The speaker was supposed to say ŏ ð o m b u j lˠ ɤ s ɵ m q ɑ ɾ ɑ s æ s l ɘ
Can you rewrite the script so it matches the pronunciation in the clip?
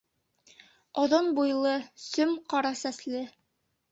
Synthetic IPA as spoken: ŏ ð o n b u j lˠ ɤ s ɵ m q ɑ ɾ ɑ s æ s l ɘ